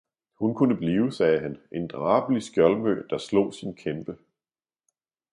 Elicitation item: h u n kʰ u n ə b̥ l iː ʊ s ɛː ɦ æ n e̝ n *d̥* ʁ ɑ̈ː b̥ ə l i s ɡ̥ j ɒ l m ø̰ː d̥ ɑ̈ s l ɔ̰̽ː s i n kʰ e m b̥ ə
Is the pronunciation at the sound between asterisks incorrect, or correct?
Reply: correct